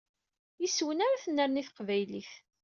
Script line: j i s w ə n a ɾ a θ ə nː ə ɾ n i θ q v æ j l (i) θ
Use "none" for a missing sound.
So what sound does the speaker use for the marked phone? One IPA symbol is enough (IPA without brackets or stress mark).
i